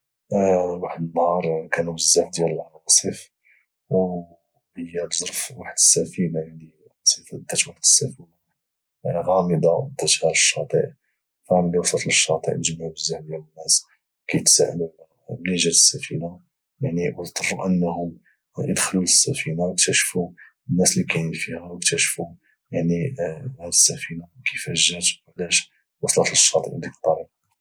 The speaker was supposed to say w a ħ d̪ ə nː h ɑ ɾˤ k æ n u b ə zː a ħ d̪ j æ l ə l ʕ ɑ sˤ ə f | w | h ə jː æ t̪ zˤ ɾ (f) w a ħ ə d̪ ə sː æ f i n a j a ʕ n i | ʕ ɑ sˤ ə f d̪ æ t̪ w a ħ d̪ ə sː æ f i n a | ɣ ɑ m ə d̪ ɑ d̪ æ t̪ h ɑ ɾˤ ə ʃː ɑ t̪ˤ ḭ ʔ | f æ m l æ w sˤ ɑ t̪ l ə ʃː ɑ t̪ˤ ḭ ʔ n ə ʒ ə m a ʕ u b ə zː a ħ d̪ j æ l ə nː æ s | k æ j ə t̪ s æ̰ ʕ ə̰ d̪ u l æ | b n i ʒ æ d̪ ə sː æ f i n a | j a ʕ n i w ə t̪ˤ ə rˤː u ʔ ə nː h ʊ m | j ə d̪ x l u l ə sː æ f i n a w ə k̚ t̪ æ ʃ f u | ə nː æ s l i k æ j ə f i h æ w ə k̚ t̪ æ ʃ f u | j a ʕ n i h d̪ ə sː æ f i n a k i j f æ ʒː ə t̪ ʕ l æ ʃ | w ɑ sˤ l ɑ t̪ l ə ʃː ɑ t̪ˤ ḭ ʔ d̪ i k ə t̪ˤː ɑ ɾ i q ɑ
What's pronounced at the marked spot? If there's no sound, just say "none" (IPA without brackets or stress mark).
f